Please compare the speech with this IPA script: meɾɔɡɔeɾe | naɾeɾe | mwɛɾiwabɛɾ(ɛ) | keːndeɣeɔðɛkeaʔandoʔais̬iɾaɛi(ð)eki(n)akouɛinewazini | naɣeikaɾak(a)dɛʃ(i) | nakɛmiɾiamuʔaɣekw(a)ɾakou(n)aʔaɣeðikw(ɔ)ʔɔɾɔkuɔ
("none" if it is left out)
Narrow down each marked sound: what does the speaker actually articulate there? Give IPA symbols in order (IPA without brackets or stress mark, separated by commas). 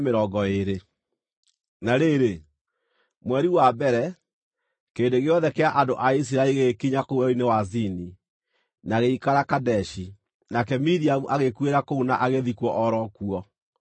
ɛ, ɣ, ɲ, a, i, e, n, ɔ